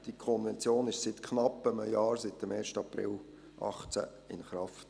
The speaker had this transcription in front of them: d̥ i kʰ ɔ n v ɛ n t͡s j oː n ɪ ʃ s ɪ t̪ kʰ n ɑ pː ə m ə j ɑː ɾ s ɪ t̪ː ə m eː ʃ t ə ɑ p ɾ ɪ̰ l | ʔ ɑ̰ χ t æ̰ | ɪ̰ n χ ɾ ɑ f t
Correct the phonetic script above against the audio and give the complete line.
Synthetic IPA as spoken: d̥ i kʰ ɔ n v ɛ n t͡s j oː n ɪ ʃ s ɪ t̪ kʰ n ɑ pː ə m ə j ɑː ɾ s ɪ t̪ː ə m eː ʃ t ə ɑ p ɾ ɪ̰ l | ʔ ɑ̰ χ t͡s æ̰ | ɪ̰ n χ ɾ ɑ f t